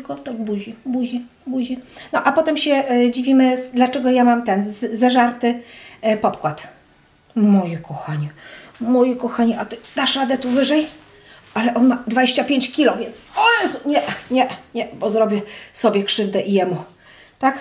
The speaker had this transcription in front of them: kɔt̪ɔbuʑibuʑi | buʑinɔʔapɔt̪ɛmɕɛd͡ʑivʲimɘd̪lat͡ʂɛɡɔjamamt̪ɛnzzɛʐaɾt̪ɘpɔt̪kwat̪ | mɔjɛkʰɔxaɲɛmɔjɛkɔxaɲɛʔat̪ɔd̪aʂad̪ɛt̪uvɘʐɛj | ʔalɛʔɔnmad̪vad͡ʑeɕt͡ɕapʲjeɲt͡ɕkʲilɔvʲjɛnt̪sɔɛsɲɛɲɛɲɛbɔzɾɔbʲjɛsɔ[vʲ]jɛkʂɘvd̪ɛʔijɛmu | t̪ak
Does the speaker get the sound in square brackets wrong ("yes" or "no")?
yes